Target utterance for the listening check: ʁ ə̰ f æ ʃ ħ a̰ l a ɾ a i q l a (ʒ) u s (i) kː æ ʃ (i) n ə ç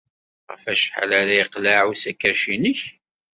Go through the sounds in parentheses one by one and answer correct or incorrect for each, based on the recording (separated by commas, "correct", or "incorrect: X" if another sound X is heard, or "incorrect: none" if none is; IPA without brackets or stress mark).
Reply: incorrect: ʕ, incorrect: æ, correct